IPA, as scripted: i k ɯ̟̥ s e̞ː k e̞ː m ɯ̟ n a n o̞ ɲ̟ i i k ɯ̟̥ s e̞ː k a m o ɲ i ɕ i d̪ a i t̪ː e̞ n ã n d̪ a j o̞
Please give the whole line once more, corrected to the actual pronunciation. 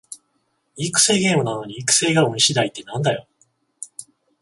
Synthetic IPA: i k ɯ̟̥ s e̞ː ɡ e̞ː m ɯ̟ n a n o̞ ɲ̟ i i k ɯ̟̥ s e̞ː ɡ a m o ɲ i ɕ i d̪ a i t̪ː e̞ n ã n d̪ a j o̞